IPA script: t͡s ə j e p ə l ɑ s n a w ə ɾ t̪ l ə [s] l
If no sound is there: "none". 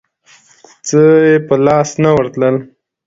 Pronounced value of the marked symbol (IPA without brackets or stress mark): none